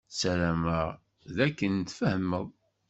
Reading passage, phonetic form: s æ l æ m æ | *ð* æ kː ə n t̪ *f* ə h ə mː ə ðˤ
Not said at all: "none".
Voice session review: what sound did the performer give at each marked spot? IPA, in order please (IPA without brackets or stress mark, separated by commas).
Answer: ð, f